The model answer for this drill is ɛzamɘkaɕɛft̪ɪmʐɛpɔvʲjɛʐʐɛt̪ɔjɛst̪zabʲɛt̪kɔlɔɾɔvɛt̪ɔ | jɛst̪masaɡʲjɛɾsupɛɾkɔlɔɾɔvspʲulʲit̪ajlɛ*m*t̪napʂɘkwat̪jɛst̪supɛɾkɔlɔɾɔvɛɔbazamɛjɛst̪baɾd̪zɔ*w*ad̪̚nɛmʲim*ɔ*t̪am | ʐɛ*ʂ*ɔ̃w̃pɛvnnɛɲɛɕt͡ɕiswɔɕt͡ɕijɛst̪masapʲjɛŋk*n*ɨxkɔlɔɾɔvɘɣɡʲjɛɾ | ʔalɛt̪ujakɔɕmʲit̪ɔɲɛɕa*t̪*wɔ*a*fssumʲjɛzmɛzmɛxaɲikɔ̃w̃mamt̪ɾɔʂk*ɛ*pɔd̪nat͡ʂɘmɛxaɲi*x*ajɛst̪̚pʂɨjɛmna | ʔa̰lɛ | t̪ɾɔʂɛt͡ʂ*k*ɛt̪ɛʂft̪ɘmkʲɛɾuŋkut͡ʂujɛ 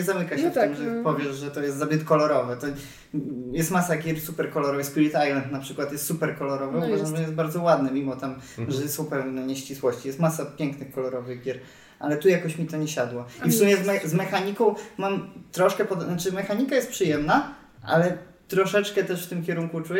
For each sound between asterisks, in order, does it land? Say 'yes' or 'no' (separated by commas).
no, yes, yes, no, yes, no, no, yes, no, yes